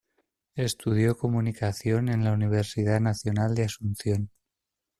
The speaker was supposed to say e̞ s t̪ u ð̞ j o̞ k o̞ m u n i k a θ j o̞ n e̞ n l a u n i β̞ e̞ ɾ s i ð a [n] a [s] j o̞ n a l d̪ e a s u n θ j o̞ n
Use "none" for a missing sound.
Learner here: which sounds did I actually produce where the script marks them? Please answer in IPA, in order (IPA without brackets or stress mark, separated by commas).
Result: n, θ